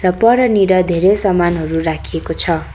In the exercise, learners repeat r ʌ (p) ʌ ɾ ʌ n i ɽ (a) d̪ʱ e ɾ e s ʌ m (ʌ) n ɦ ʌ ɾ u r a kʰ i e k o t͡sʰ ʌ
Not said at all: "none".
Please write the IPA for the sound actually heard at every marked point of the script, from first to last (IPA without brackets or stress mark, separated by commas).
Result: p, ʌ, a